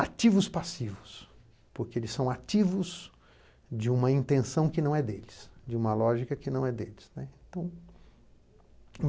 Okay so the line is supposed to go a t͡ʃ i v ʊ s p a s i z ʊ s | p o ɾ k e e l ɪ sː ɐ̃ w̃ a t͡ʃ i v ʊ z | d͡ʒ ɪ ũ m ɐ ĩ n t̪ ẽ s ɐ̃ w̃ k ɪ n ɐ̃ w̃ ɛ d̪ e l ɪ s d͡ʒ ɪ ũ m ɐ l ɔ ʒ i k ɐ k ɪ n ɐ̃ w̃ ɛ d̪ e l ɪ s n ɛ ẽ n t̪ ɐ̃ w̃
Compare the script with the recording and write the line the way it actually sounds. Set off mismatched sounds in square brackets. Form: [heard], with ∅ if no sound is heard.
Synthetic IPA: a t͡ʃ i v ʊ s p a s i [v] ʊ s | p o ɾ k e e l ɪ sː ɐ̃ w̃ a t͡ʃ i v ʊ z | d͡ʒ ɪ ũ m ɐ ĩ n t̪ ẽ s ɐ̃ w̃ k ɪ n ɐ̃ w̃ ɛ d̪ e l ɪ s d͡ʒ ɪ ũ m ɐ l ɔ ʒ i k ɐ k ɪ n ɐ̃ w̃ ɛ d̪ e l ɪ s n ɛ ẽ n t̪ ɐ̃ w̃